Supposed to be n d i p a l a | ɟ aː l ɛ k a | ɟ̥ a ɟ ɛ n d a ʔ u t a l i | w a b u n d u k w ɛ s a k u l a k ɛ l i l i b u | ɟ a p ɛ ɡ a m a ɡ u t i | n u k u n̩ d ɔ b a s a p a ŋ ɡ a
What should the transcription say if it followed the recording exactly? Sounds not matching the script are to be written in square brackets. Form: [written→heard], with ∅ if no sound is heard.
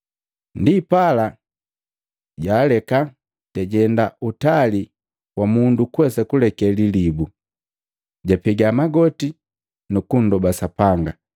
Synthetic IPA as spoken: n d i p a l a | ɟ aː l ɛ k a | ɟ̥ a ɟ ɛ n d a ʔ u t a l i | w a [b→m] u n d u k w ɛ s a k u l [a→ɛ] k ɛ l i l i b u | ɟ a p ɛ ɡ a m a ɡ [u→ɔ] t i | n u k u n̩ d ɔ b a s a p a ŋ ɡ a